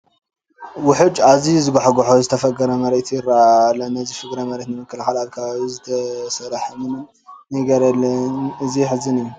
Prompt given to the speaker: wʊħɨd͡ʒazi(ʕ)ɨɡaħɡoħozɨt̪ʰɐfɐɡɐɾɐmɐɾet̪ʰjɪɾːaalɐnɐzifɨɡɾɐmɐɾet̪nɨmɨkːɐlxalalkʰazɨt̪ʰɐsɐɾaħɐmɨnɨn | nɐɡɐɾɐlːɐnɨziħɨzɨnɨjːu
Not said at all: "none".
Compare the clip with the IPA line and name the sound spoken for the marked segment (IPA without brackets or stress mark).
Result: z